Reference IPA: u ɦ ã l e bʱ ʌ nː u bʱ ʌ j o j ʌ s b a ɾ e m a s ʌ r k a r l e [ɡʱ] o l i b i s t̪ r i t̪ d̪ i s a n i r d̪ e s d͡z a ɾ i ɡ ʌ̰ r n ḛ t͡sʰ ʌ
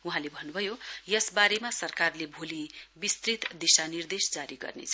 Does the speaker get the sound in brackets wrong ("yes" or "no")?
yes